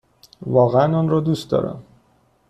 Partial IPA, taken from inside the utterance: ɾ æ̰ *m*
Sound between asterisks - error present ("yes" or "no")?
no